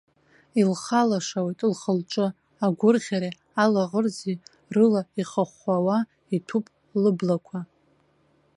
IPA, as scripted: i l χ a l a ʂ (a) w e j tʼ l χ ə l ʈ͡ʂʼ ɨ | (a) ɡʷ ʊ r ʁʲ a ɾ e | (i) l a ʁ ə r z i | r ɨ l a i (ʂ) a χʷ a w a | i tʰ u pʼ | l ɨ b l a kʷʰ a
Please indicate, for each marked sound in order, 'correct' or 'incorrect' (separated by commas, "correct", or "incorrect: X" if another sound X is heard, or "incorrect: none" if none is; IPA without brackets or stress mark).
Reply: correct, correct, incorrect: a, incorrect: χ